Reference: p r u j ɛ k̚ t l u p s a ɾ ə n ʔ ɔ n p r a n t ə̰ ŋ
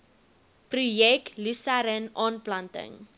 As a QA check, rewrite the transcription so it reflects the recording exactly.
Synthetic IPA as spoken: p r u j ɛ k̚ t l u s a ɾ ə n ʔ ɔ n p l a n t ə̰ ŋ